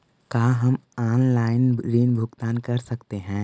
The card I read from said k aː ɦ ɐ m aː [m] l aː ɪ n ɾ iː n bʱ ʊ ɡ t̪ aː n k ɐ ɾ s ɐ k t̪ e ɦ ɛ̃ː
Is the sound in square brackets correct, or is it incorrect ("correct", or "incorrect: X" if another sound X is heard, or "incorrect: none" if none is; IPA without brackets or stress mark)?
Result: incorrect: n